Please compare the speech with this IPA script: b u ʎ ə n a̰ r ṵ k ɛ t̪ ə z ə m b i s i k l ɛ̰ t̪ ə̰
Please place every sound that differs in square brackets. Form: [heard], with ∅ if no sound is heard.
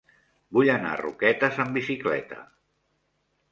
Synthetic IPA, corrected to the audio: b u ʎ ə n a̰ r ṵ k ɛ t̪ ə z ə m b i s i k l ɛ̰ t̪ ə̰